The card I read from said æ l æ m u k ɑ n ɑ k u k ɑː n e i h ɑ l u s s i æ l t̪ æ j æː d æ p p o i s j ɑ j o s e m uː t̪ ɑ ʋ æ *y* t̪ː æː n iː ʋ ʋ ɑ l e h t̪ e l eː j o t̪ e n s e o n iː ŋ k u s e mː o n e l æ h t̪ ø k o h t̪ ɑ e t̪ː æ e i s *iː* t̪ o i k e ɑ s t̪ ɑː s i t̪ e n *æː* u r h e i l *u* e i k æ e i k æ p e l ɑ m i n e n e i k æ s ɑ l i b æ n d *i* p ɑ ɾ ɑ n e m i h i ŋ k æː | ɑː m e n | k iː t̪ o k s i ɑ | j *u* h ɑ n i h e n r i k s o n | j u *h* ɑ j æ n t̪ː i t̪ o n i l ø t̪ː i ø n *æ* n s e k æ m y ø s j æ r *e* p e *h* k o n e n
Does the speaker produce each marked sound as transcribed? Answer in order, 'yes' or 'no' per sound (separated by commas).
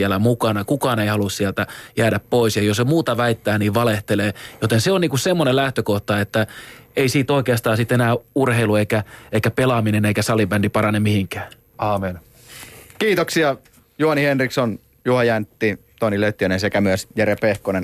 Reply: no, yes, yes, yes, yes, yes, yes, no, yes, yes